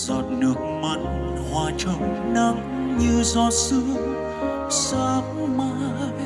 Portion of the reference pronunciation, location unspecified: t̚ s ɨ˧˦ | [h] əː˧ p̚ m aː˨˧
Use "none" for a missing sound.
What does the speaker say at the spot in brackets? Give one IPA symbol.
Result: s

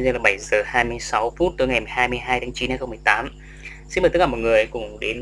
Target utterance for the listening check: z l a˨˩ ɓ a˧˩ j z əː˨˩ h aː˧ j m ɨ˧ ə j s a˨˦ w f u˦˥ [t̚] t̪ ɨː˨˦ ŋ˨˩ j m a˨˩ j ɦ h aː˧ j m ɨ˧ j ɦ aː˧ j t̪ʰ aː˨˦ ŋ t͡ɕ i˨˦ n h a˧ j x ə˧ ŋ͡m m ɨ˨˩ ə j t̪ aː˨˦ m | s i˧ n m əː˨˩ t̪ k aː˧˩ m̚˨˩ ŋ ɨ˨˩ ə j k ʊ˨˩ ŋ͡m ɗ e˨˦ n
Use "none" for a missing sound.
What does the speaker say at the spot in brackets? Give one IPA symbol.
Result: t̚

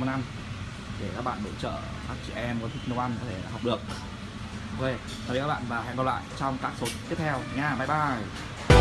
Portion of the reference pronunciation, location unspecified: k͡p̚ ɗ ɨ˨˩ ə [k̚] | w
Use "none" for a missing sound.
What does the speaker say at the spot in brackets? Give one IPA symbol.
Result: k̚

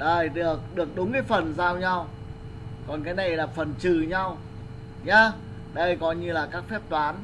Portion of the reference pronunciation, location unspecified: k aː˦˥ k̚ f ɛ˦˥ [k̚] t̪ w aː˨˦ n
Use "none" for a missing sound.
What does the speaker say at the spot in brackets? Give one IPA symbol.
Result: p̚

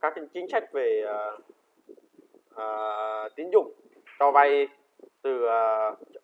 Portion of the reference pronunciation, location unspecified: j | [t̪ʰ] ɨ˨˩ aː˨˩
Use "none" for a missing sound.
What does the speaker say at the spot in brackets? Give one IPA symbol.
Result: t̪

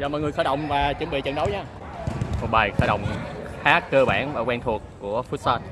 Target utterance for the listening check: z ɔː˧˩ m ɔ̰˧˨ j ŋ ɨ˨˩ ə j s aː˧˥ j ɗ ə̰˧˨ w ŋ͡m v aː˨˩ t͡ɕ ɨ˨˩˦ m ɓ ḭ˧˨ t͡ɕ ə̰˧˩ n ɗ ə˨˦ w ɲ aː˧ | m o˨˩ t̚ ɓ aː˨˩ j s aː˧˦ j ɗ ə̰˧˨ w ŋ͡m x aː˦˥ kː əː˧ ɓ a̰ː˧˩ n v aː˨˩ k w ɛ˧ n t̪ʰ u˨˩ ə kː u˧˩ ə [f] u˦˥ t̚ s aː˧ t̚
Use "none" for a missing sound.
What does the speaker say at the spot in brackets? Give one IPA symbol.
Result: f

